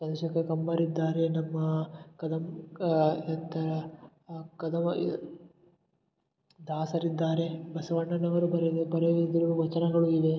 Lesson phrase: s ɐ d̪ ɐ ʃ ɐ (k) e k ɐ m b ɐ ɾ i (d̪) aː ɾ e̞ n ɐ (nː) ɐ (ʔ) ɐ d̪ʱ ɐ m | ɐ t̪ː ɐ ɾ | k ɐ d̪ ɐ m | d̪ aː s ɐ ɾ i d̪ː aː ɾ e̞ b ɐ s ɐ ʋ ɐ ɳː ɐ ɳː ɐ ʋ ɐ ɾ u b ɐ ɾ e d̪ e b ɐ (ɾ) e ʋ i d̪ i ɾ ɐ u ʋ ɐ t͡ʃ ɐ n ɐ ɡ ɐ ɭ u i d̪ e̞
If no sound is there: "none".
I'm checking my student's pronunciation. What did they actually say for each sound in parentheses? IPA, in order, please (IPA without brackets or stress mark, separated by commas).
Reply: k, d̪ː, mː, k, ɾ